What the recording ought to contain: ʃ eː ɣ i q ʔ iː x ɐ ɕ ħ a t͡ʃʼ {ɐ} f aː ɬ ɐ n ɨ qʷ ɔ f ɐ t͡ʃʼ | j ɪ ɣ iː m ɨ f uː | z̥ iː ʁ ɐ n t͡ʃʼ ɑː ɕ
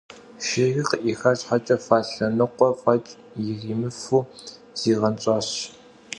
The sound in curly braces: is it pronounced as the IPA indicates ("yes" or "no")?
yes